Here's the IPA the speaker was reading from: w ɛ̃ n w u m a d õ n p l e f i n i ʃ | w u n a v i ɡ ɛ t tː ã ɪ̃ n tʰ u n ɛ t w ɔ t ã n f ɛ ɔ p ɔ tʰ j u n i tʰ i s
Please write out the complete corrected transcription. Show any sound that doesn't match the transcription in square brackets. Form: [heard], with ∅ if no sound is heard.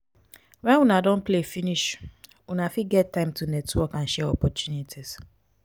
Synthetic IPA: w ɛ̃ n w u [n] a d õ n p l e f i n i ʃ | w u n a [f] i ɡ ɛ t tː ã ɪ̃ [m] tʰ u n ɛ t w ɔ [k] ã n [ʃ] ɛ ɔ p ɔ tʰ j u n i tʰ i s